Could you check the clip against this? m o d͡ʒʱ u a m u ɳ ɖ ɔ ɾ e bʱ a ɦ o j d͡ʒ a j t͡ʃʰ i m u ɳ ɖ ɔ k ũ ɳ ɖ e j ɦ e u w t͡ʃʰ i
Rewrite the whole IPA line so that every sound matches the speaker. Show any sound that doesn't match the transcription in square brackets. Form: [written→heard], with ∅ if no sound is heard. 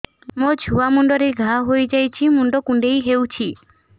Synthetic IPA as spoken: m o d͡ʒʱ u a m u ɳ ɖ ɔ ɾ e [bʱ→ɡʱ] a ɦ o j d͡ʒ a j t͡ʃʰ i m u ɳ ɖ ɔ k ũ ɳ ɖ e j ɦ e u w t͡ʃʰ i

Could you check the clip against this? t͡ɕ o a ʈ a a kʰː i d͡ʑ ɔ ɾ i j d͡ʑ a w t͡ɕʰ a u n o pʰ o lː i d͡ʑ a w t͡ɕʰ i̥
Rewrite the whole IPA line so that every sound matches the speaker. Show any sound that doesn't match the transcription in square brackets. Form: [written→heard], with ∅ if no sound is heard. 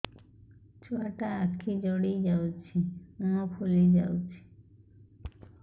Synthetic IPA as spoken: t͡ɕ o a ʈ a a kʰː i d͡ʑ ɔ [ɾ→ɽ] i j d͡ʑ a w t͡ɕʰ [a→i] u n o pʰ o [lː→l] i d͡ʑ a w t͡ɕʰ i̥

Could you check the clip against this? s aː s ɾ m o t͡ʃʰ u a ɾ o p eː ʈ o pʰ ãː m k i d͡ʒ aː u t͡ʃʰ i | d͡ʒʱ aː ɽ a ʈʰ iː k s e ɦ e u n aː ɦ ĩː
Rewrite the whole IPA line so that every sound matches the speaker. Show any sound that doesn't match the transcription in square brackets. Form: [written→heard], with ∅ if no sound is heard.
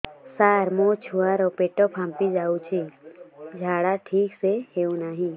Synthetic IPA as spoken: s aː [s→∅] ɾ m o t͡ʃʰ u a ɾ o p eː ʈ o pʰ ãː m [k→p] i d͡ʒ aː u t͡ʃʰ i | d͡ʒʱ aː ɽ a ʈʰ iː k s e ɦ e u n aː ɦ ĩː

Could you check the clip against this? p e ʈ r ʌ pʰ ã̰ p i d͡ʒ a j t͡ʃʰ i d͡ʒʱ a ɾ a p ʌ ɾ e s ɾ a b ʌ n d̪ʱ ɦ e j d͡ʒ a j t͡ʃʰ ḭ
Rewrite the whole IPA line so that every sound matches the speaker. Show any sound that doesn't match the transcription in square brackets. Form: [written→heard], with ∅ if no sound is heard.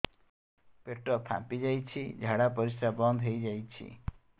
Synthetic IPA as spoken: p e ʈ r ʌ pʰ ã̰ p i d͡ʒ a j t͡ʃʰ i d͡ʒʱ a [ɾ→ɽ] a p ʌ ɾ [e→i] s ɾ a b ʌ n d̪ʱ ɦ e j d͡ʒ a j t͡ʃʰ ḭ

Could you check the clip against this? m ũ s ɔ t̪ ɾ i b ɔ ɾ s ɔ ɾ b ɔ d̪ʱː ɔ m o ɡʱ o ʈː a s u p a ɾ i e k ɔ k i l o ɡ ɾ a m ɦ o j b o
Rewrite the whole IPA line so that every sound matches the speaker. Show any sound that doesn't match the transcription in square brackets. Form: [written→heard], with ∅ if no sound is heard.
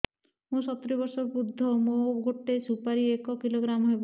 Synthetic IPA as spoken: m ũ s ɔ t̪ ɾ i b ɔ ɾ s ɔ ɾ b [ɔ→u] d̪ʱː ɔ m o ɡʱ o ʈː [a→e] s u p a ɾ i e k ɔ k i l o ɡ ɾ a m ɦ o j b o

